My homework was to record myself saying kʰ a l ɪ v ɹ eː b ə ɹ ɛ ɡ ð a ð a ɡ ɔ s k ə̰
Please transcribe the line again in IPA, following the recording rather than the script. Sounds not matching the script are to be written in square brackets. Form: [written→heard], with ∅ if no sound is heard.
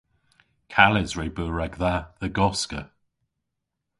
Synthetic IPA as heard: kʰ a l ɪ [v→z] ɹ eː b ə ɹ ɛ ɡ ð a ð [a→ə] ɡ ɔ s k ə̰

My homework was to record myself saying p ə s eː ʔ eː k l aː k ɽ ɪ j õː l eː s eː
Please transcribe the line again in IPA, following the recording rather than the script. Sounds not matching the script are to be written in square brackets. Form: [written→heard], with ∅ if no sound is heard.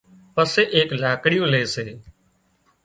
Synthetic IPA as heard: p ə s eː ʔ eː k l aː k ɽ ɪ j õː l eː s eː

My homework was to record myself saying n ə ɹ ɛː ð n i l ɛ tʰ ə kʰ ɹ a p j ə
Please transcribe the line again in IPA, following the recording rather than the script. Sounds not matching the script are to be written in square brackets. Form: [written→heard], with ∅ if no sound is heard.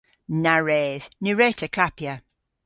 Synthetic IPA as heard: n [ə→a] ɹ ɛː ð n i [l→ɹ] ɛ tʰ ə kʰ [ɹ→l] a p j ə

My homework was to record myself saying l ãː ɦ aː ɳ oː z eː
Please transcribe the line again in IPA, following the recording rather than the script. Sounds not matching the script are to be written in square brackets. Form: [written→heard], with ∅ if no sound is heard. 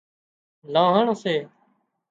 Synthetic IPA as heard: l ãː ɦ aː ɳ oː [z→s] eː

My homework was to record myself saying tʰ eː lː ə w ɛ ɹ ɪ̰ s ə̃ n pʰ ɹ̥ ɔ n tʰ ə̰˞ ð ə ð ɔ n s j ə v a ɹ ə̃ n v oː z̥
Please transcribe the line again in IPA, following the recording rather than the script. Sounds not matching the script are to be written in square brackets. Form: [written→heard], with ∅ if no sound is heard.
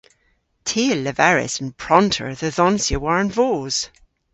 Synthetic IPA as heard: tʰ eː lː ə [w→v] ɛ ɹ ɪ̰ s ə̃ n pʰ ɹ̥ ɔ n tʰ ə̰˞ ð ə ð ɔ n s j ə [v→w] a ɹ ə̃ n v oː z̥

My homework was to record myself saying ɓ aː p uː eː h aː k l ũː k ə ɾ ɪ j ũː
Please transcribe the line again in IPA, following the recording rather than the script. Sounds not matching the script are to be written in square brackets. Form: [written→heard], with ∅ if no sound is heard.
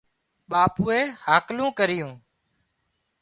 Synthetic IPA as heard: ɓ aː p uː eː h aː k l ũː k ə ɾ ɪ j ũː

